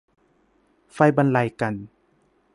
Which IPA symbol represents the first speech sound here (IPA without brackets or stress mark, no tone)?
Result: f